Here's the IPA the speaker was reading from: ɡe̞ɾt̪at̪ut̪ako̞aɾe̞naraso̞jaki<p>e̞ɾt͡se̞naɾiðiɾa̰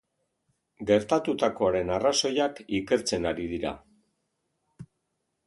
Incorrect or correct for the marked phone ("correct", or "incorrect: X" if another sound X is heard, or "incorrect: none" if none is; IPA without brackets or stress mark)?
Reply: incorrect: k